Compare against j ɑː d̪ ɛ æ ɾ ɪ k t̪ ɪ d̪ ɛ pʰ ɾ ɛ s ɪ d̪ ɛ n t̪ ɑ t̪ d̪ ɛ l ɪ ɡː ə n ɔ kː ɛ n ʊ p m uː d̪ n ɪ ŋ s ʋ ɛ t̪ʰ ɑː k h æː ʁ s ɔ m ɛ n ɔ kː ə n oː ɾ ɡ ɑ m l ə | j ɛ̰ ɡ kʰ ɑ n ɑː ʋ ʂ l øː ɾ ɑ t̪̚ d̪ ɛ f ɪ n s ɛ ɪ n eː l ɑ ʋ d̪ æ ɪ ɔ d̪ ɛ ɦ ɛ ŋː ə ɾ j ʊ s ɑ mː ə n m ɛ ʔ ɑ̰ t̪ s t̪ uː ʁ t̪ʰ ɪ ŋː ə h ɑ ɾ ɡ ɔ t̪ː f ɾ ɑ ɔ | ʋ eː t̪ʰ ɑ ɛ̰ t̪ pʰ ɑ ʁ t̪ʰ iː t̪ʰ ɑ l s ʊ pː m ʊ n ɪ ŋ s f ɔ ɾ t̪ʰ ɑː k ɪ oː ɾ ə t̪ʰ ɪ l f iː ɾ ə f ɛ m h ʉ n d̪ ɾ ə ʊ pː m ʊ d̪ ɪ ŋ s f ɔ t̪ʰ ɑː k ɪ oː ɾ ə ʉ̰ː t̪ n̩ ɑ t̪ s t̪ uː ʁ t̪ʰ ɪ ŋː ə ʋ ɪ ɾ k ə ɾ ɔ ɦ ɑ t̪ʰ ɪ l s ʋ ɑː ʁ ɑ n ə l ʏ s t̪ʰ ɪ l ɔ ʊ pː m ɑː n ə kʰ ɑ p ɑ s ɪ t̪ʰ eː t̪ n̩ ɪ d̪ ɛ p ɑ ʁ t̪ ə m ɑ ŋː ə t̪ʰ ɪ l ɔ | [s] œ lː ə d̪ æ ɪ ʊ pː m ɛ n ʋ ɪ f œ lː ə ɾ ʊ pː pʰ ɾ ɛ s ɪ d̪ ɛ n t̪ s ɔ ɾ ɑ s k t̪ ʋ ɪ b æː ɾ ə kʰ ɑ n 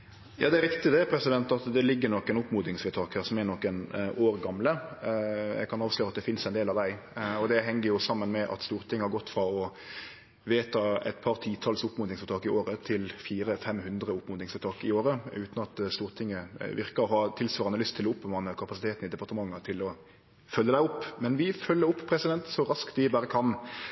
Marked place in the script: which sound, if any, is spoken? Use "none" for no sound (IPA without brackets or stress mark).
f